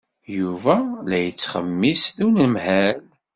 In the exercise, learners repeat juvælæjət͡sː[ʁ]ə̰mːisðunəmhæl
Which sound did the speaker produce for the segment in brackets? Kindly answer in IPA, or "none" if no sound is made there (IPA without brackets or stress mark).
χ